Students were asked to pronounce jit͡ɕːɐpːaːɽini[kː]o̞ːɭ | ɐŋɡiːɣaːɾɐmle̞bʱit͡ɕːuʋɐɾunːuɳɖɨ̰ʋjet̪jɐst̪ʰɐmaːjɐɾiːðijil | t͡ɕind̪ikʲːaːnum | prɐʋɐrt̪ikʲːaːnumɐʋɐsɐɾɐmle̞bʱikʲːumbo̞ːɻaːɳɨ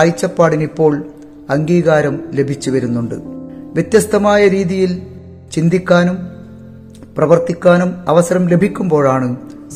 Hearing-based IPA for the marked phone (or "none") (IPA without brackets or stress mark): pː